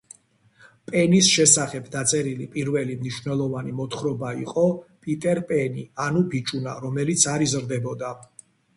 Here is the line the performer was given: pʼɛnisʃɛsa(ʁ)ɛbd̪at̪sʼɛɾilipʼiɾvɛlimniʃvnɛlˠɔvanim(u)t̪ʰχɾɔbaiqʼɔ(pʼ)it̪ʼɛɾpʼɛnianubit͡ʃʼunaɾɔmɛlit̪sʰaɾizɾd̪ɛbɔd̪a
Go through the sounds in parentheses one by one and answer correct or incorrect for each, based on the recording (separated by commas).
incorrect, incorrect, correct